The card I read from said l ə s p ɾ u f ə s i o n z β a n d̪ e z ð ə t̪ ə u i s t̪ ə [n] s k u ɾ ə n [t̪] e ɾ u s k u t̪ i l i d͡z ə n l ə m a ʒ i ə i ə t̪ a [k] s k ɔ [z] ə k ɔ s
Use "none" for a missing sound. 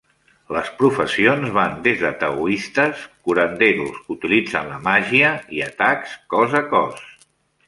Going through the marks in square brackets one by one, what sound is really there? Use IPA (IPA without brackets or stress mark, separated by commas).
none, d̪, k, z